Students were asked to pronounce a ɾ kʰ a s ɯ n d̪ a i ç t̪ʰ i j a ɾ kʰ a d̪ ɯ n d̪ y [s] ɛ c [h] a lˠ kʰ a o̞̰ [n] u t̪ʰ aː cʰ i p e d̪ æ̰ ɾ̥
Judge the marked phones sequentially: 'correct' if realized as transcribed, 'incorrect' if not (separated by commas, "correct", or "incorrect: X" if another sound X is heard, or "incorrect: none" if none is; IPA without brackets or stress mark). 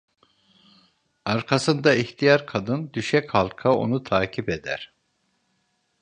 incorrect: ʃ, correct, correct